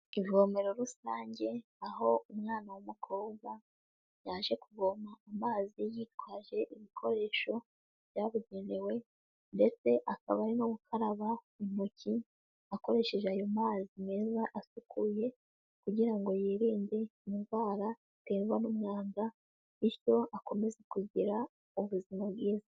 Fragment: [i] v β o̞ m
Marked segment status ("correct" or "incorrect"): correct